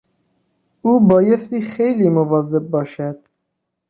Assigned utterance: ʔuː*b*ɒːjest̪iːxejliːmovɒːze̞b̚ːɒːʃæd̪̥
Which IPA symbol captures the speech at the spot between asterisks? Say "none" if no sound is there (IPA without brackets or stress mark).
b